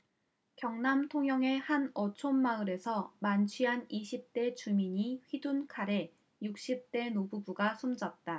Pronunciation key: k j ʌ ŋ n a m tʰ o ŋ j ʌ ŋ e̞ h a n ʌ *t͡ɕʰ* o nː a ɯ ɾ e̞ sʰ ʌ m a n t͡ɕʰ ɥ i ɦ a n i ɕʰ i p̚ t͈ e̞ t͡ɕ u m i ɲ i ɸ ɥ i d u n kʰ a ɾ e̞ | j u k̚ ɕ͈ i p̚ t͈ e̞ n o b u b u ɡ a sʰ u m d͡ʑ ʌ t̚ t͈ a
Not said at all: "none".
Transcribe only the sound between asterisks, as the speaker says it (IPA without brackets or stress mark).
t͡ɕʰ